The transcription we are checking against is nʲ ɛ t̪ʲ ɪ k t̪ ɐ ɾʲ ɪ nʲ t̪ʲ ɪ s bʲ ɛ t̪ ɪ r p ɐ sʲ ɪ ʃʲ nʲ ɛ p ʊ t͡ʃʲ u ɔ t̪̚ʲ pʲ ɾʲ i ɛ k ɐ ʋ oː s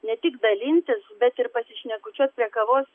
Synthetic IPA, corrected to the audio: nʲ ɛ t̪ʲ ɪ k d̪ ɐ lʲ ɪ nʲ t̪ʲ ɪ s bʲ ɛ t̪ ɪ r p ɐ sʲ ɪ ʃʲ nʲ ɛ k ʊ t͡ʃʲ u ɔ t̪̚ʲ pʲ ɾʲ i ɛ k ɐ ʋ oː s